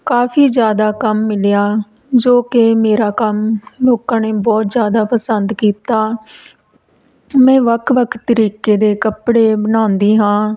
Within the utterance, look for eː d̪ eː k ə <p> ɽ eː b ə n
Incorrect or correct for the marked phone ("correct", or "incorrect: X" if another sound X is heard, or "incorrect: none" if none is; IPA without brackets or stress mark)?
correct